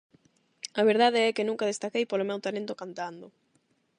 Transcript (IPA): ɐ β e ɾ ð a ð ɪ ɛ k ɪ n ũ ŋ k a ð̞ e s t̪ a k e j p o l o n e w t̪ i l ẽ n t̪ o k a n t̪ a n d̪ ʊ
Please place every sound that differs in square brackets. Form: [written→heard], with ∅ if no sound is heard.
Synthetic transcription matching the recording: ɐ β e ɾ ð a ð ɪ ɛ k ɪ n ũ ŋ k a ð̞ e s t̪ a k e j p o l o [n→m] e w t̪ [i→a] l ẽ n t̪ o k a n t̪ a n d̪ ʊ